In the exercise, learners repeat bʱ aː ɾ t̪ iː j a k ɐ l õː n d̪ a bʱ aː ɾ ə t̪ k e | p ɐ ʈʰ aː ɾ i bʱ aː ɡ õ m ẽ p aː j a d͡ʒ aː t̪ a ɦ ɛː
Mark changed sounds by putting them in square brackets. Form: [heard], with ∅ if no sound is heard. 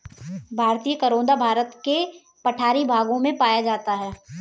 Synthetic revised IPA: bʱ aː ɾ t̪ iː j [ə] k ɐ [ɾ] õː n d̪ a bʱ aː ɾ ə t̪ k e | p ɐ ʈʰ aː ɾ i bʱ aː ɡ õ m ẽ p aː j a d͡ʒ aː t̪ a ɦ ɛː